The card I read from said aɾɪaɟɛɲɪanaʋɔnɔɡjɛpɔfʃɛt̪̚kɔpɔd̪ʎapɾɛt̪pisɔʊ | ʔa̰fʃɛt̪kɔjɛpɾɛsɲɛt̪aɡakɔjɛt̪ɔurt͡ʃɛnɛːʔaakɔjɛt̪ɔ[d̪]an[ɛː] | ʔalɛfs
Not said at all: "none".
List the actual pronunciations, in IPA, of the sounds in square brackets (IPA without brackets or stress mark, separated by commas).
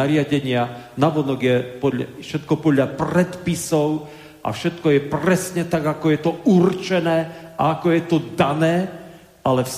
d̪, ɛː